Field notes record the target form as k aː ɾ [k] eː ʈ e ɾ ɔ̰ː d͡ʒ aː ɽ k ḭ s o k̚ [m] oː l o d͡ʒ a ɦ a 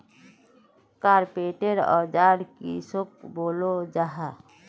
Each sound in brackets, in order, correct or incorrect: incorrect: p, incorrect: b

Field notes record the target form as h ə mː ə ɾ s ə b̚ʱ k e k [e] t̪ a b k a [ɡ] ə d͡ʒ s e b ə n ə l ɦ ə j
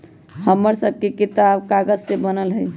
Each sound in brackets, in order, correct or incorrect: incorrect: i, correct

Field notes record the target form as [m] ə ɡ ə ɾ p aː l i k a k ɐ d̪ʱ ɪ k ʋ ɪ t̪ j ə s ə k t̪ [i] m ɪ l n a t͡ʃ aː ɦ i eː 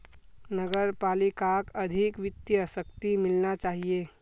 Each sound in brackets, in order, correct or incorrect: incorrect: n, correct

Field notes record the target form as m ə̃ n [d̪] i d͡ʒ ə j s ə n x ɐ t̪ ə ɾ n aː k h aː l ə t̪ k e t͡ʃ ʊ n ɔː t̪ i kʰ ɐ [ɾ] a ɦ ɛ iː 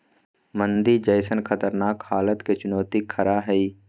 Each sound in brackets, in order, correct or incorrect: correct, correct

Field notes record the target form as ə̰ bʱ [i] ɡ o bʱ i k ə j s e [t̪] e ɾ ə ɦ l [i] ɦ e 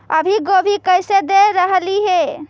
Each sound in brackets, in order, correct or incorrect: correct, incorrect: d̪, correct

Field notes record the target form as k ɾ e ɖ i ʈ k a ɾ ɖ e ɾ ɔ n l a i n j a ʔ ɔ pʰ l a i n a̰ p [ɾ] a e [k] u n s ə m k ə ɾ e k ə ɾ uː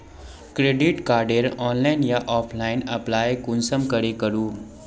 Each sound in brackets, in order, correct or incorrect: incorrect: l, correct

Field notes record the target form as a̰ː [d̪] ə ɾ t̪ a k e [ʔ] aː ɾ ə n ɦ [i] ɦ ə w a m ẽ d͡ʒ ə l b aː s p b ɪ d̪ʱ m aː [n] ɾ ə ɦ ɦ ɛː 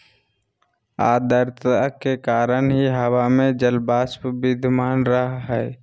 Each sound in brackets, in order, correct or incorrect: correct, incorrect: k, correct, correct

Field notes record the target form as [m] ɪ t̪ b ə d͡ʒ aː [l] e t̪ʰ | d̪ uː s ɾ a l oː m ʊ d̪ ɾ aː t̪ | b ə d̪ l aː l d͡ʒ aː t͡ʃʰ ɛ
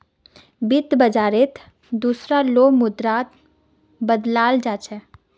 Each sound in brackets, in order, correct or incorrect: incorrect: b, incorrect: ɾ

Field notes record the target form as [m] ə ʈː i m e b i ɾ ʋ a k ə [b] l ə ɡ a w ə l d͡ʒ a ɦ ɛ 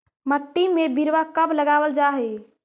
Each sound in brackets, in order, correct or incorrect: correct, correct

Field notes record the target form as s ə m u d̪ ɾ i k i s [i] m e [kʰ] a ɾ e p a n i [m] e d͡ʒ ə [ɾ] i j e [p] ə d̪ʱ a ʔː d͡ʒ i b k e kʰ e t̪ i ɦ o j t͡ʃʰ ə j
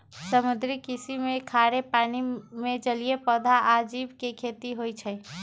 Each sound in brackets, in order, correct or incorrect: correct, correct, correct, incorrect: l, correct

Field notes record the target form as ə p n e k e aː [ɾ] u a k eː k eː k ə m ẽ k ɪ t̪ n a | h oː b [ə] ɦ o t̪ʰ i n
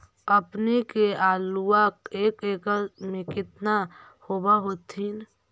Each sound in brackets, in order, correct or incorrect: incorrect: l, incorrect: a

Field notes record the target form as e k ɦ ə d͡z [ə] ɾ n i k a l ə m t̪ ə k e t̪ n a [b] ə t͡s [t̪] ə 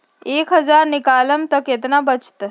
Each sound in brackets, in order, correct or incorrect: incorrect: a, correct, correct

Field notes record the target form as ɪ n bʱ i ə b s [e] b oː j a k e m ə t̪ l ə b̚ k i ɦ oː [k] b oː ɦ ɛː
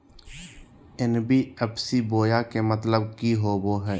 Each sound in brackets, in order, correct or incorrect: incorrect: i, incorrect: none

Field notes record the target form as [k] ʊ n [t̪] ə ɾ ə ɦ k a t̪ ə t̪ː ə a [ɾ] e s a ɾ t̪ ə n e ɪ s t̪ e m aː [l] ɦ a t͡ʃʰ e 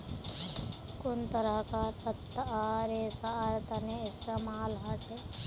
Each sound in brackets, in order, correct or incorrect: correct, correct, correct, correct

